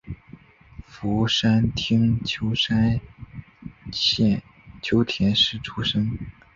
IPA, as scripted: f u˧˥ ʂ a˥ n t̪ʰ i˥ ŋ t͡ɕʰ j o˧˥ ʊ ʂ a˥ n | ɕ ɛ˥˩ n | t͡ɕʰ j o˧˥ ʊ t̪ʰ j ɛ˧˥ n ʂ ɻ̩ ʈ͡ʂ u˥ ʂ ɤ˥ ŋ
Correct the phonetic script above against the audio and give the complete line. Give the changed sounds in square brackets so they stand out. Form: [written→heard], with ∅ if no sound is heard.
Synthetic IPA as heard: f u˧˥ ʂ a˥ n t̪ʰ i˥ ŋ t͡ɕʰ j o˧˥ ʊ ʂ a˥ n | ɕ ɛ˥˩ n | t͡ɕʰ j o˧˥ ʊ t̪ʰ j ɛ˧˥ n ʂ ɻ̩ [ʈ͡ʂ→ʈ͡ʂʰ] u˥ ʂ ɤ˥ ŋ